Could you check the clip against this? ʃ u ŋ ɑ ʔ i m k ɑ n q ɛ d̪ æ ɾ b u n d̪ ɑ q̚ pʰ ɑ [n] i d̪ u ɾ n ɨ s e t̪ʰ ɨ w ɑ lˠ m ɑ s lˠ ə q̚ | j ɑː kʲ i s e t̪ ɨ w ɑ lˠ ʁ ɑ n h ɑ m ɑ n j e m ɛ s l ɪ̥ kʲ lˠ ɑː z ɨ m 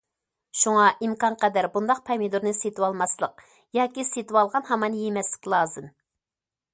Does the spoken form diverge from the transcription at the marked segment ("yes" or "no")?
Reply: yes